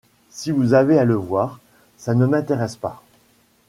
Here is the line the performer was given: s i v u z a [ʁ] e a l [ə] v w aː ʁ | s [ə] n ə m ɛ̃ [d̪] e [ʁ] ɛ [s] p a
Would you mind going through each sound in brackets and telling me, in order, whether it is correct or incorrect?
incorrect: v, correct, incorrect: a, incorrect: t̪, correct, correct

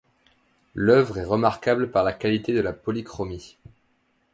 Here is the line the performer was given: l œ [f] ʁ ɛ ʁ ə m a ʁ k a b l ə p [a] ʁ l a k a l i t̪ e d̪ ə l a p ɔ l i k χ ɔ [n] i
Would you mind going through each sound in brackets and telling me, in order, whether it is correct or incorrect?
incorrect: v, correct, incorrect: m

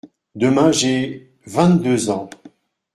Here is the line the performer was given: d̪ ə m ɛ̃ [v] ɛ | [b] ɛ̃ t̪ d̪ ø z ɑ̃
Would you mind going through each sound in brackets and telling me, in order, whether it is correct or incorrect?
incorrect: ʒ, incorrect: v

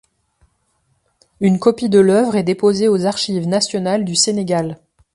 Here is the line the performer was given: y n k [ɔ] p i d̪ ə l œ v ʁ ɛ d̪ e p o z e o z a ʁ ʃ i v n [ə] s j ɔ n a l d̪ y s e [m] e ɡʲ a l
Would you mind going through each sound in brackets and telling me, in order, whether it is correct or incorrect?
correct, incorrect: a, incorrect: n

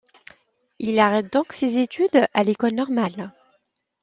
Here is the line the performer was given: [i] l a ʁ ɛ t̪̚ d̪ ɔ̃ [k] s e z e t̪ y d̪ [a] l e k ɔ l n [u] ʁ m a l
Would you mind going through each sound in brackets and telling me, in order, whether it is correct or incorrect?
correct, correct, correct, incorrect: ɔ

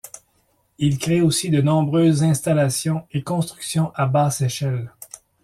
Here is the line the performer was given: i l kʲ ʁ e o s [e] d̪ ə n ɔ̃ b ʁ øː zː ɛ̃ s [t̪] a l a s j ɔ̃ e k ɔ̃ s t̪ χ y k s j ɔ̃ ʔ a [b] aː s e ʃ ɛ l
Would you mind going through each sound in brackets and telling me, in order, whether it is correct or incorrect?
incorrect: i, correct, correct

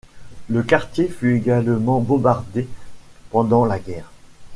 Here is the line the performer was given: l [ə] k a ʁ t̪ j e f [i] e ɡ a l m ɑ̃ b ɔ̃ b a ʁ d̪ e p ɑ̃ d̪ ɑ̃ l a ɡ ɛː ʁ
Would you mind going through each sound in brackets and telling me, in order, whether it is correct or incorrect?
correct, incorrect: y

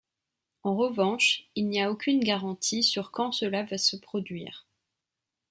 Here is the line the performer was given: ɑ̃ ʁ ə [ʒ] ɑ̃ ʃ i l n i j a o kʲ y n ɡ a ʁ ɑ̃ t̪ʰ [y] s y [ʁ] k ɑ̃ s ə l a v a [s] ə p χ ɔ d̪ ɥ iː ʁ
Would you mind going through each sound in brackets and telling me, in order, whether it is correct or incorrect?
incorrect: v, incorrect: i, correct, correct

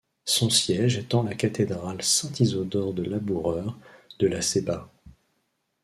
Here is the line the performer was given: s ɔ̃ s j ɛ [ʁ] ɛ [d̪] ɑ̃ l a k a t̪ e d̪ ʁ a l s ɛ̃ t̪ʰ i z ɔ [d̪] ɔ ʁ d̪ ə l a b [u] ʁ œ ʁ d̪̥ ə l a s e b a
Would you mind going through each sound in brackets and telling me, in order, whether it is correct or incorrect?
incorrect: ʒ, incorrect: t̪, correct, correct

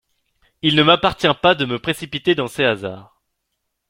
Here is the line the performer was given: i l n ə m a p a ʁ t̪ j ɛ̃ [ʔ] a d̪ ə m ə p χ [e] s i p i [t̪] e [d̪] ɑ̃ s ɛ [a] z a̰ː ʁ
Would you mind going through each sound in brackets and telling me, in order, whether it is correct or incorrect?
incorrect: p, correct, correct, correct, correct

